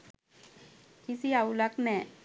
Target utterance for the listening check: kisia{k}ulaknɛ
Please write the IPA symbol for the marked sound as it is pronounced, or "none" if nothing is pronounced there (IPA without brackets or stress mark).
none